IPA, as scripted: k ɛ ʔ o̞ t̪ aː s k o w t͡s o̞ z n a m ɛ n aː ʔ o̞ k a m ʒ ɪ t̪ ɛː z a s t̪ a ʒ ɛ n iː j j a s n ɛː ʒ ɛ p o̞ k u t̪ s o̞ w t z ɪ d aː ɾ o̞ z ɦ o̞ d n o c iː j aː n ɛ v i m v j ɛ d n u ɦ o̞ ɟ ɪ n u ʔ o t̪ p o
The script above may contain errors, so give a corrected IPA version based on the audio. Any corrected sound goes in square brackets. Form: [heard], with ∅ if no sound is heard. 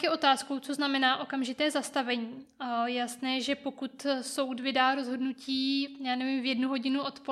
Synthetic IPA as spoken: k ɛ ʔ o̞ t̪ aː s k o w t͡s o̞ z n a m ɛ n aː ʔ o̞ k a m ʒ ɪ t̪ ɛː z a s t̪ a [v] ɛ [ɲ] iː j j a s n ɛː ʒ ɛ p o̞ k u t̪ s o̞ w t [v] ɪ d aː ɾ o̞ z ɦ o̞ d n [u] c iː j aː n ɛ v i m v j ɛ d n u ɦ o̞ ɟ ɪ n u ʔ o t̪ p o